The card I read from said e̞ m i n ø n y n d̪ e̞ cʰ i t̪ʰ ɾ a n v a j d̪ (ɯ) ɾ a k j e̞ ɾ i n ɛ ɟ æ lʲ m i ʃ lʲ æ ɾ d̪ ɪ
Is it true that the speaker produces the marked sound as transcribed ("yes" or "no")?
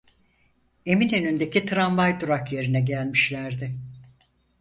no